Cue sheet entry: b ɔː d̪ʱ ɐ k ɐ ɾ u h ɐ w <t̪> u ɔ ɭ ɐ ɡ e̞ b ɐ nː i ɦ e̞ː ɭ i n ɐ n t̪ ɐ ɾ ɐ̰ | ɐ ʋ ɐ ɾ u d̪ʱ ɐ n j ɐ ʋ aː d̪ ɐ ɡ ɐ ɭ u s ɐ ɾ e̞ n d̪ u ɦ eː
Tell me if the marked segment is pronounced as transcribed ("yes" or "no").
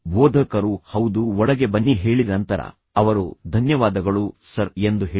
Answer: no